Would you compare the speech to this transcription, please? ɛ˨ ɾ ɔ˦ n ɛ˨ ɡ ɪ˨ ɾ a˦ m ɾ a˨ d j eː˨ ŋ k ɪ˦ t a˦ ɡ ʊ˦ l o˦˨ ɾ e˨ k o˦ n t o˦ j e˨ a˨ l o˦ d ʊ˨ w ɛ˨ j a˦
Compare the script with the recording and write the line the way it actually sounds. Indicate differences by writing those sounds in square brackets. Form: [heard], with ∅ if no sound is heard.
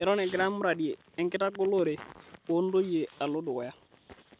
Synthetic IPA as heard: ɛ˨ ɾ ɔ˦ n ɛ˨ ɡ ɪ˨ ɾ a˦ m ɾ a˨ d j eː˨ ŋ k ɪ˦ t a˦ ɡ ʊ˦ l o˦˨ ɾ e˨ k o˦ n [d] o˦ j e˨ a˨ l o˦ d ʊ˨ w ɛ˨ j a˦